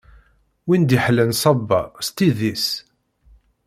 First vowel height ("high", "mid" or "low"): high